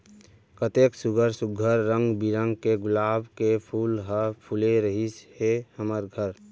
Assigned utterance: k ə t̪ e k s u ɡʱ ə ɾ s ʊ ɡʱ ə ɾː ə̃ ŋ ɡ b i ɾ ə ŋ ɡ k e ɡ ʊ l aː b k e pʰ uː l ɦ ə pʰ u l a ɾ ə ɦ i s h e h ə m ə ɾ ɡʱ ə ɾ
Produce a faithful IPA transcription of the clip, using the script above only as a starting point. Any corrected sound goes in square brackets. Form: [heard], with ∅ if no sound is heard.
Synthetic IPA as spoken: k ə t̪ e k s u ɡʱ ə ɾ s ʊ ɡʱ ə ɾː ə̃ ŋ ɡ b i ɾ ə ŋ ɡ k e ɡ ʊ l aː b k e pʰ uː l ɦ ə pʰ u l [e] ɾ ə ɦ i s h e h ə m ə ɾ ɡʱ ə ɾ